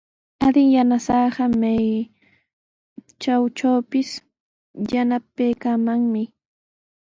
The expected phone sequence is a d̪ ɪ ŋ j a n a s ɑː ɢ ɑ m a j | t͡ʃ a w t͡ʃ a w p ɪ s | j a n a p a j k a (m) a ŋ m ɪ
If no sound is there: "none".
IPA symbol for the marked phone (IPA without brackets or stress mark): m